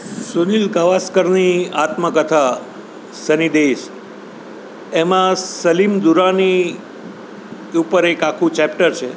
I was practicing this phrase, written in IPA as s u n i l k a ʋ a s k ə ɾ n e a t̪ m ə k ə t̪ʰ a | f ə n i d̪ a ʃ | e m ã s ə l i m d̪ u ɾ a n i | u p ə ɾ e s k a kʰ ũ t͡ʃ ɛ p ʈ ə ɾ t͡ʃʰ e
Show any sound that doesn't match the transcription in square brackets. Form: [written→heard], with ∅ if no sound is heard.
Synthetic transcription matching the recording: s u n i l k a ʋ a s k ə ɾ n [e→i] a t̪ m ə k ə t̪ʰ a | [f→s] ə n i d̪ [a→e] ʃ | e m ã s ə l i m d̪ u ɾ a n i | u p ə ɾ e [s→∅] k a kʰ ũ t͡ʃ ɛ p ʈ ə ɾ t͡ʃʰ e